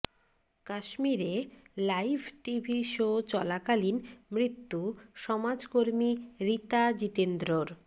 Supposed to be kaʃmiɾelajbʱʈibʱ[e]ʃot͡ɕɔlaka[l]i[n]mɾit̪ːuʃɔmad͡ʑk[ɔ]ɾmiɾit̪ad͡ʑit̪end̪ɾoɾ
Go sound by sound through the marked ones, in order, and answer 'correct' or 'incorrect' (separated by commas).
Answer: incorrect, correct, correct, incorrect